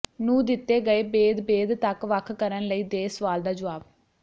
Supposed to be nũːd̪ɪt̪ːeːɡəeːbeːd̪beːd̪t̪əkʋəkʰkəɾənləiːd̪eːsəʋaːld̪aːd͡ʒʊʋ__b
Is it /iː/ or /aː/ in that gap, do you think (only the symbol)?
aː